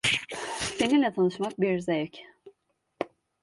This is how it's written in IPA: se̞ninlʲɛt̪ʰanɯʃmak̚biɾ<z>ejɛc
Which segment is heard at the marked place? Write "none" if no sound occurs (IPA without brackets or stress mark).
z